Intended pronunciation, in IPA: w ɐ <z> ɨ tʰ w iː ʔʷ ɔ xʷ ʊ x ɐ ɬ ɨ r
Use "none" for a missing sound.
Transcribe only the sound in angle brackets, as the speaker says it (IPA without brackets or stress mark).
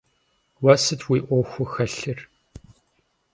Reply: s